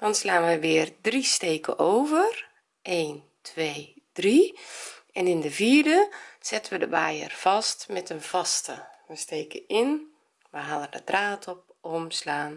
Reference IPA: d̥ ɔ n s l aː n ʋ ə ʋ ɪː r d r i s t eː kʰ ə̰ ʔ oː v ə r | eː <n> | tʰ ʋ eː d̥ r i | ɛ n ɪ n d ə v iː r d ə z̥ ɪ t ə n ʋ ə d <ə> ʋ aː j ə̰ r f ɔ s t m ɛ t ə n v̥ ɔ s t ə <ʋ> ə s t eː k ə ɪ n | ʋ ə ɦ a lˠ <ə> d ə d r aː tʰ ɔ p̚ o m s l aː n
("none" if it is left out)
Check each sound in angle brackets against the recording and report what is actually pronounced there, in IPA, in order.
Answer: n, ə, ʋ, ə

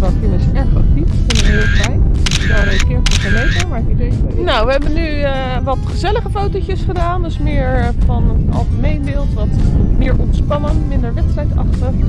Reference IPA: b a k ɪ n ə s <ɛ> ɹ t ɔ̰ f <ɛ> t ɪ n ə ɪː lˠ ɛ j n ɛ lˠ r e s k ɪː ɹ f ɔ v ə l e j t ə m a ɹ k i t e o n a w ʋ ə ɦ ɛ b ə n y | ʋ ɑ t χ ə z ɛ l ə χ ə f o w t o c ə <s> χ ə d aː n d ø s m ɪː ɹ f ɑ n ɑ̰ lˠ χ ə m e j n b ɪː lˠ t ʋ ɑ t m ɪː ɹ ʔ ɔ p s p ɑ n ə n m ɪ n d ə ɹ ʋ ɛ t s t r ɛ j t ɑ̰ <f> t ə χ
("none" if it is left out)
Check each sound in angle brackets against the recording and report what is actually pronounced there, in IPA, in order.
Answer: ɛ, i, s, χ

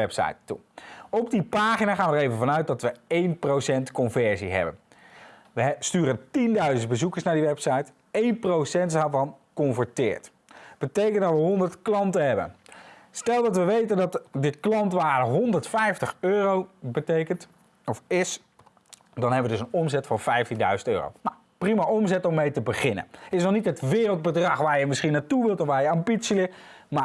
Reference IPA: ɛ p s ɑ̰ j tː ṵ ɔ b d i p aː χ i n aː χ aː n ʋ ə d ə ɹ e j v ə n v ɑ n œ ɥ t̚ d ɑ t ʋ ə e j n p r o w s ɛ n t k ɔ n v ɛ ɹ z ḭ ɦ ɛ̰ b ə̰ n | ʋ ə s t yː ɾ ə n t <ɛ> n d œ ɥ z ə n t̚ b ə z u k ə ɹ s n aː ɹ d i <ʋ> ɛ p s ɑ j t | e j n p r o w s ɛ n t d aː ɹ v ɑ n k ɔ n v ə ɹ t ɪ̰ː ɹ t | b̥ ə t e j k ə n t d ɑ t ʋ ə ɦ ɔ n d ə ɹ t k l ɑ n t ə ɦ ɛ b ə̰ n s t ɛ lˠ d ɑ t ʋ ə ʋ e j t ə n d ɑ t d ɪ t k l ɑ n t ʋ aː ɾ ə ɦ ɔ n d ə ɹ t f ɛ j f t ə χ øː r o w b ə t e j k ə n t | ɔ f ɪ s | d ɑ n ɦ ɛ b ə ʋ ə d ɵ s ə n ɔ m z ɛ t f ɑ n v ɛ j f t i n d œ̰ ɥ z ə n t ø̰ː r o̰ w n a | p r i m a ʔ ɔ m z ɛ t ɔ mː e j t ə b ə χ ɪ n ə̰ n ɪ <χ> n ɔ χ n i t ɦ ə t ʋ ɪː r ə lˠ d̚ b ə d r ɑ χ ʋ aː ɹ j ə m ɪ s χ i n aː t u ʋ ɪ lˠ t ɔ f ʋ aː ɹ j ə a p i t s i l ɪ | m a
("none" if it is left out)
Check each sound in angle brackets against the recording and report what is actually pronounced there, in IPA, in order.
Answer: i, ʋ, s

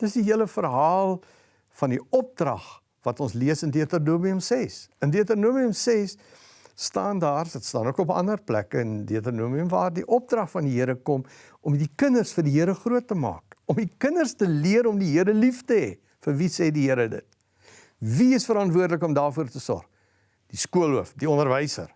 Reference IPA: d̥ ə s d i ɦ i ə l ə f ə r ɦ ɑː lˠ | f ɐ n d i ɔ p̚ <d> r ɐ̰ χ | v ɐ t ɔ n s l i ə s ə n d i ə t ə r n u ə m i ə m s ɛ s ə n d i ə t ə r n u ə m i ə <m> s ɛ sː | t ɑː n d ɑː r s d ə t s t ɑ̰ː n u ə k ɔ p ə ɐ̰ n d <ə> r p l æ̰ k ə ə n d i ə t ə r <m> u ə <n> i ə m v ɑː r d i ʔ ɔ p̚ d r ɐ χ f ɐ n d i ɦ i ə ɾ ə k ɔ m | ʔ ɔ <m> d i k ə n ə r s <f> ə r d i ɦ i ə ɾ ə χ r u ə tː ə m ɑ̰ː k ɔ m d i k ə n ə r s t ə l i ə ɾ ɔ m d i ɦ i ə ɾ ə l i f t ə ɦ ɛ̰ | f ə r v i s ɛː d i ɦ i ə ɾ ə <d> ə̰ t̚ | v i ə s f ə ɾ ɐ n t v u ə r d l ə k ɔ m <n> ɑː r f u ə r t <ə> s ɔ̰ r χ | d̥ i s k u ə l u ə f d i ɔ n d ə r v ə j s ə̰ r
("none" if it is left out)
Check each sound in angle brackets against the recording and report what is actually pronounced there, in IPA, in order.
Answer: d, m, ə, n, m, m, f, d, d, ə

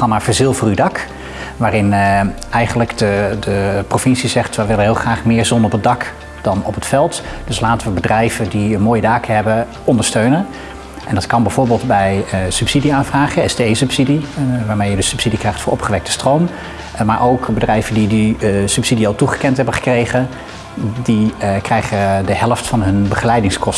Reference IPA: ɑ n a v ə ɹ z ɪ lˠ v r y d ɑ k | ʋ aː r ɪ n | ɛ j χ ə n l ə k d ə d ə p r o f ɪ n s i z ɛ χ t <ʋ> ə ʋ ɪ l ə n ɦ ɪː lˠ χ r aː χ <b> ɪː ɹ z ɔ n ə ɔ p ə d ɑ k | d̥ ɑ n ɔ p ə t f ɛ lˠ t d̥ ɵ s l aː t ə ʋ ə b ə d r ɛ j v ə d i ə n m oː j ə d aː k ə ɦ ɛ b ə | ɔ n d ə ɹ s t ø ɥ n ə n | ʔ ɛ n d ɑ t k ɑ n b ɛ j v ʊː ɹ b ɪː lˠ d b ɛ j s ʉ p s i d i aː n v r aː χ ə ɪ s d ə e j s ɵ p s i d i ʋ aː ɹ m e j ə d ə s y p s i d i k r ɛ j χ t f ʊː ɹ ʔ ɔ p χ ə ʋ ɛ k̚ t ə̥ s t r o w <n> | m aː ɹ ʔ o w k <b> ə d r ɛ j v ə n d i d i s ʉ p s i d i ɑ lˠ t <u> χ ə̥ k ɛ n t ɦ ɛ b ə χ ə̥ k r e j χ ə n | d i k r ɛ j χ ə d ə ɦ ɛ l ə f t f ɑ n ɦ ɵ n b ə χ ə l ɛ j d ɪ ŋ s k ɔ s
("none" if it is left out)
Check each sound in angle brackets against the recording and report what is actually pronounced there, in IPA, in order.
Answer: ʋ, m, m, b, u

